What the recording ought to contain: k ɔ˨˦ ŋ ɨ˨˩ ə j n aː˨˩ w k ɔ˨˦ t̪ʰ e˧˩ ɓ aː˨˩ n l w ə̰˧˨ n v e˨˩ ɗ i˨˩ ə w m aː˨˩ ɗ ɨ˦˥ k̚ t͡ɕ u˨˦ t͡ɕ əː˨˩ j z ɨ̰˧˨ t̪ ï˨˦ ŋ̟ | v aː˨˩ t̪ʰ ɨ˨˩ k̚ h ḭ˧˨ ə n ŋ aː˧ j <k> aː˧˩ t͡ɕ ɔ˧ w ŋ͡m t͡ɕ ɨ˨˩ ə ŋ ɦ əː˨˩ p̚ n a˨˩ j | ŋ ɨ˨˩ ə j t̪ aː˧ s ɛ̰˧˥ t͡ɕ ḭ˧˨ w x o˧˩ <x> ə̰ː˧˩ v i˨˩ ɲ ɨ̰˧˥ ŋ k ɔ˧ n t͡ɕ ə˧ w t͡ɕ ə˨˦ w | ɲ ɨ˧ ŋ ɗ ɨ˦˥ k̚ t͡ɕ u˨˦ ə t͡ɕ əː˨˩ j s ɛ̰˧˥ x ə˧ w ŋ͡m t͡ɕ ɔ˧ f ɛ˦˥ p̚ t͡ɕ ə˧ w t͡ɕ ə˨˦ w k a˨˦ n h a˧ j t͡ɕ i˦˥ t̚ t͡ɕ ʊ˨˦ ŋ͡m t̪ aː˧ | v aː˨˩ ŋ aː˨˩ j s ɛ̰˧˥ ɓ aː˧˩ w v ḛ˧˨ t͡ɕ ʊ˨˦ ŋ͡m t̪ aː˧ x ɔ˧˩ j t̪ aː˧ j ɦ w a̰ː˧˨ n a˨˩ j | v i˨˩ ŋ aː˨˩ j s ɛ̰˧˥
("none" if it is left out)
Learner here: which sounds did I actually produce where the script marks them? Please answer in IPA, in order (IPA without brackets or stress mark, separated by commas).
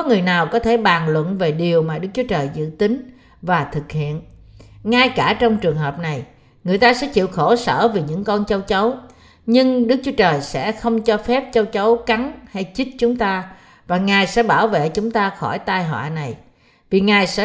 k, s